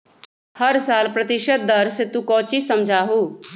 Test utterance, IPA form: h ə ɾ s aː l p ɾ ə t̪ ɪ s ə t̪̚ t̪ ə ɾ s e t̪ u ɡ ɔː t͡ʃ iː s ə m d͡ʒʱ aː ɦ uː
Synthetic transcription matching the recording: h ə ɾ s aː l p ɾ ə t̪ ɪ ʃ ə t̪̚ d̪ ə ɾ s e t̪ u k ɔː t͡ʃ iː s ə m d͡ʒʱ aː ɦ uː